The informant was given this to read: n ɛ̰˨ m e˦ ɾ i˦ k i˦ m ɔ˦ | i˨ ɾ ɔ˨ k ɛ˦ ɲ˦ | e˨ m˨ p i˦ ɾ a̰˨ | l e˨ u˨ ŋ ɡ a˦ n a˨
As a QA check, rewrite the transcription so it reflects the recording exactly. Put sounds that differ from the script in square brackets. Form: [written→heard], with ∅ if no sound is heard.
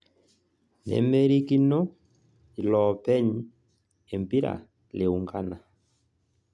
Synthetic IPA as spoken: n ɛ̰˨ m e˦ ɾ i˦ k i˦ [m→n] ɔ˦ | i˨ [ɾ→l] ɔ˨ [k→p] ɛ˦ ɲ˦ | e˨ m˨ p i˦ ɾ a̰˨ | l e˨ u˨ ŋ ɡ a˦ n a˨